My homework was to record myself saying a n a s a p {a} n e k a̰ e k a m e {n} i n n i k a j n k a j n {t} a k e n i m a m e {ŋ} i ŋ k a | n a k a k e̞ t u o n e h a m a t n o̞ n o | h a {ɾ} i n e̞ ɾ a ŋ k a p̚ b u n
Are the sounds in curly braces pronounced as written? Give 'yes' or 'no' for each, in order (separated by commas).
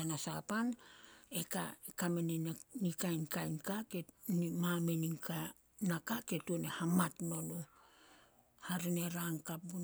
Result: yes, yes, no, no, yes